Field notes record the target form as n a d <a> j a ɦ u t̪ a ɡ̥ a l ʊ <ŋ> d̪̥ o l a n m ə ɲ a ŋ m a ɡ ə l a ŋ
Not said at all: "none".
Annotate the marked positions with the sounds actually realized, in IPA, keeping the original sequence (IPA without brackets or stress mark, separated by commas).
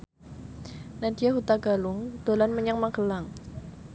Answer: i, ŋ